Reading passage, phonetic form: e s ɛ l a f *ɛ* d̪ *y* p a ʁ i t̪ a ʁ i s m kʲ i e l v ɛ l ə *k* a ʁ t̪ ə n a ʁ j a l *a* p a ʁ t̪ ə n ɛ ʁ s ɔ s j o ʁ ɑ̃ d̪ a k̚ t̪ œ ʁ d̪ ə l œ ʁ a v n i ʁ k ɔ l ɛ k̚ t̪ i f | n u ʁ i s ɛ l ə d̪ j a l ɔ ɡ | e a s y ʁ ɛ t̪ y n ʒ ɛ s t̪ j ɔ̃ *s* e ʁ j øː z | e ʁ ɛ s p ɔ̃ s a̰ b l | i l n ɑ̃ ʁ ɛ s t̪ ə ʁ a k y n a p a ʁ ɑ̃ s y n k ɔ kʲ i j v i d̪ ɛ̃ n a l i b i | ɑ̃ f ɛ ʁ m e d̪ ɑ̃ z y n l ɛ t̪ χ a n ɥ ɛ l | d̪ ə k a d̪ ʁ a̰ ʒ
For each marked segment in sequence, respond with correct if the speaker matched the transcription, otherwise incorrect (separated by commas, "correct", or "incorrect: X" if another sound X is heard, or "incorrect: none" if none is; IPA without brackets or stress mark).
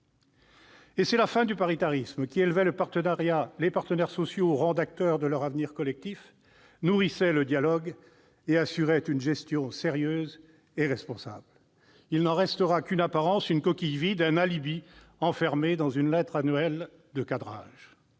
incorrect: ɛ̃, correct, incorrect: p, incorrect: e, correct